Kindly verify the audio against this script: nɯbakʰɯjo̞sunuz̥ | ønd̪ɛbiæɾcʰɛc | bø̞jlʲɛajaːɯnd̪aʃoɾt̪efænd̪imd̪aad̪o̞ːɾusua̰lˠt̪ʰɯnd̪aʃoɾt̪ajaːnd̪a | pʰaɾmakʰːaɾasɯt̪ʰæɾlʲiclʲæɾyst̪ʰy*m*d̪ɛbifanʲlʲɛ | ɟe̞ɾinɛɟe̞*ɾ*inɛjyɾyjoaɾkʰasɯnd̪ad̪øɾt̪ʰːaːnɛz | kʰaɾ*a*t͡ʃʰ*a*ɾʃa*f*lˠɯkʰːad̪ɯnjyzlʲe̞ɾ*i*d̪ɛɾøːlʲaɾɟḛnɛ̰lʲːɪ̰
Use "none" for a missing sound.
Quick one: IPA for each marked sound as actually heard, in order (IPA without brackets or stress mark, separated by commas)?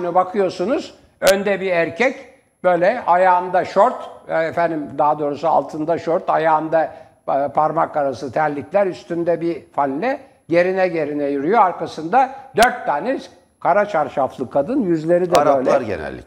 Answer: n, ɾ, a, a, f, i